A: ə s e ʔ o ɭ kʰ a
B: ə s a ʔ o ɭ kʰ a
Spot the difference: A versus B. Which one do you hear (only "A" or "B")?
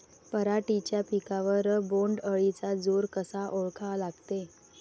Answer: B